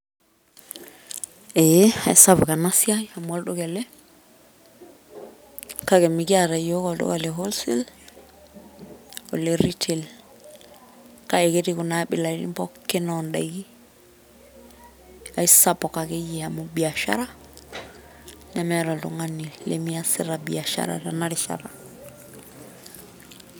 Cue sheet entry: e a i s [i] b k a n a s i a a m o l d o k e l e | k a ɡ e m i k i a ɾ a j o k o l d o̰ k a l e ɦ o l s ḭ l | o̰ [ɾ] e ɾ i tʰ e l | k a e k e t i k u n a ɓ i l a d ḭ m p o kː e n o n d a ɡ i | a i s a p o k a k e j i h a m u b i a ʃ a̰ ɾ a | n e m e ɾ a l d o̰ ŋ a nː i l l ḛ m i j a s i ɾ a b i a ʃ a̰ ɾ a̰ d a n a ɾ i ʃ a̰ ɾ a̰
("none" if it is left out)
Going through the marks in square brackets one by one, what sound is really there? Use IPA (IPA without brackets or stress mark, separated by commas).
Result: a, l